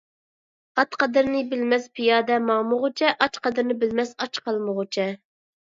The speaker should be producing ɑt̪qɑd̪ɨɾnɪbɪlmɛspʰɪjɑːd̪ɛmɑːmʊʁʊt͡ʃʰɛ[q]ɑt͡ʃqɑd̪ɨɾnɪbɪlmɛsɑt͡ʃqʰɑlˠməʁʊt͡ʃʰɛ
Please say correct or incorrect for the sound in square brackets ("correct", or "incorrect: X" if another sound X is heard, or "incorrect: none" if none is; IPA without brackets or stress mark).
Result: incorrect: ʔ